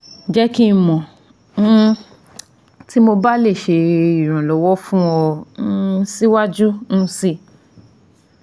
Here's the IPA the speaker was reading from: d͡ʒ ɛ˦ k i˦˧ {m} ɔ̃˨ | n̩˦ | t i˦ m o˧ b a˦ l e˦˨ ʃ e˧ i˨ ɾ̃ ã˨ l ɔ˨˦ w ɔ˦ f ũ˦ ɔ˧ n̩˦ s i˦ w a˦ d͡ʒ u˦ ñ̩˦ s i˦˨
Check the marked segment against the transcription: correct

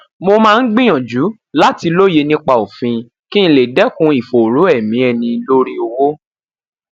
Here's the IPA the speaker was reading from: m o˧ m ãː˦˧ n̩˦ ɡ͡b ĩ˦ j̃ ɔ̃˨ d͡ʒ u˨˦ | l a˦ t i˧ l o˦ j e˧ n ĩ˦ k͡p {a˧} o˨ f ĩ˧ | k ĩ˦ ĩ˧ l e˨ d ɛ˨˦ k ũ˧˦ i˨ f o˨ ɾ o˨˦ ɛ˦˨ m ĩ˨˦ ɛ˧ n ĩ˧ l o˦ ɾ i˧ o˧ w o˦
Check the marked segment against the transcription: correct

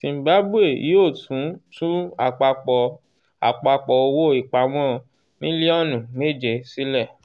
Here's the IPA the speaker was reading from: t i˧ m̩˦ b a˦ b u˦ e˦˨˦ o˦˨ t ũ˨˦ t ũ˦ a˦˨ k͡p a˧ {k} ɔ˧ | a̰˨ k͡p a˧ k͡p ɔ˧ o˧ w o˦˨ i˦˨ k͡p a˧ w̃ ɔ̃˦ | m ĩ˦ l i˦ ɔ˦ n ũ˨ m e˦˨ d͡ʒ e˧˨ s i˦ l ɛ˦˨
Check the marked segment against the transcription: incorrect: k͡p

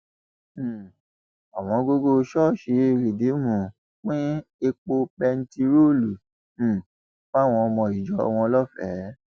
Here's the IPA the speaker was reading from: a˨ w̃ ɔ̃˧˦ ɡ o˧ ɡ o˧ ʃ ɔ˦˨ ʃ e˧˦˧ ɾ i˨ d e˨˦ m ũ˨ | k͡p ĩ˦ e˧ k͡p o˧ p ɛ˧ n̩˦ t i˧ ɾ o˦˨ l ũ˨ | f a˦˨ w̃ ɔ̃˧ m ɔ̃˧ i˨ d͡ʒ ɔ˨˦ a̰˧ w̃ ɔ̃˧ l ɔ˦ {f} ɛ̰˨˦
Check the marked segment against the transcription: correct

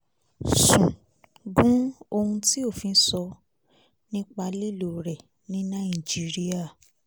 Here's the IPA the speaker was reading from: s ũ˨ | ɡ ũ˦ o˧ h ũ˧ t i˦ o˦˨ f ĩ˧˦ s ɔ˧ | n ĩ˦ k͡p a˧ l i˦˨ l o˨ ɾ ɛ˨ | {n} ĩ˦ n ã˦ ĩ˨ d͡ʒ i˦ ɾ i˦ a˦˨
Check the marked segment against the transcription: correct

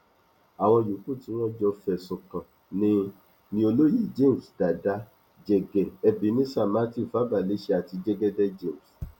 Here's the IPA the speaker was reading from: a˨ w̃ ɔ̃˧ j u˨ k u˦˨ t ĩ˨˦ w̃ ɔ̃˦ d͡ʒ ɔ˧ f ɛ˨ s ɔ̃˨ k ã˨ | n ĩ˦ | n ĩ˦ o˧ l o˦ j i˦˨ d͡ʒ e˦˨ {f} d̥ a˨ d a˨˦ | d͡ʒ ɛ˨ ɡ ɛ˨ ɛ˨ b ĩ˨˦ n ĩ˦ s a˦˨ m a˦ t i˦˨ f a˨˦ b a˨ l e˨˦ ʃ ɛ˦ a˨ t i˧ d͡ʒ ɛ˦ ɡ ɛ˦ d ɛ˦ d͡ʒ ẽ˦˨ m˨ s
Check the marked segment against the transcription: incorrect: s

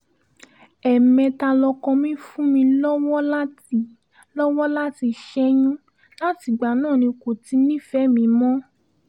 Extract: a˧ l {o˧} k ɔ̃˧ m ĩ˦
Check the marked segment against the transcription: incorrect: ɔ˧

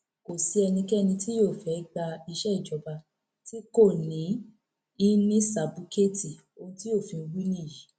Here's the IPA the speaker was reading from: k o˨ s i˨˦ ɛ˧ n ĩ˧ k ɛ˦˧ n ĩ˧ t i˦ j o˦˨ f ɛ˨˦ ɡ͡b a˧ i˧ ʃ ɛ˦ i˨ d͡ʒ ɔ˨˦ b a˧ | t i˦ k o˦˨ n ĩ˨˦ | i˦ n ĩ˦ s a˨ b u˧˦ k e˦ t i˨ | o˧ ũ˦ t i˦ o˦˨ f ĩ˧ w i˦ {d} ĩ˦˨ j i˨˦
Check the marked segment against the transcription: incorrect: n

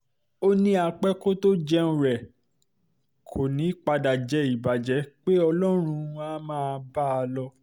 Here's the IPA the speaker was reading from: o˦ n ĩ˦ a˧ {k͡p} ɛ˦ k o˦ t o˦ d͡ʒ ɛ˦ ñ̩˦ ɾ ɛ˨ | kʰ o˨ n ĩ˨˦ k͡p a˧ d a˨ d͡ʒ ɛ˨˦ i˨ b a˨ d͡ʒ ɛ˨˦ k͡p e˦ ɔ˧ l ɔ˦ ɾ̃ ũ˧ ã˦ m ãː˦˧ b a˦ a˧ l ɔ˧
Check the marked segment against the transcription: correct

